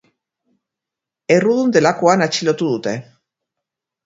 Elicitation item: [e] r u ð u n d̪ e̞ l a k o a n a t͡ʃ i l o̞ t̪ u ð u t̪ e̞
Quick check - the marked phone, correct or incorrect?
correct